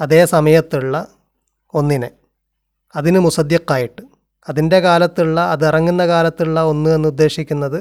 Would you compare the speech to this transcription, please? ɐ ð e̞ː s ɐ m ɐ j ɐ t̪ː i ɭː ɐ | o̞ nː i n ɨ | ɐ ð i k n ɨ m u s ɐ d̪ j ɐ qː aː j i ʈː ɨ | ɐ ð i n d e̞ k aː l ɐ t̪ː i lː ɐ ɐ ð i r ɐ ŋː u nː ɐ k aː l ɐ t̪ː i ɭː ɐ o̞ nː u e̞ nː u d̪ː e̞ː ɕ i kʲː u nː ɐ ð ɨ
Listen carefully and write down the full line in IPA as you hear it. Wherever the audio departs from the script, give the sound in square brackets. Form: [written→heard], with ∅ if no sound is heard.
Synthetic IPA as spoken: ɐ ð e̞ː s ɐ m ɐ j ɐ t̪ː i ɭː ɐ | o̞ nː i n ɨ | ɐ ð i [k→∅] n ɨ m u s ɐ d̪ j ɐ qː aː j i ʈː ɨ | ɐ ð i n d e̞ k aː l ɐ t̪ː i [lː→ɭː] ɐ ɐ ð i r ɐ ŋː u nː ɐ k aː l ɐ t̪ː i ɭː ɐ o̞ nː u e̞ nː u d̪ː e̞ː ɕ i kʲː u nː ɐ ð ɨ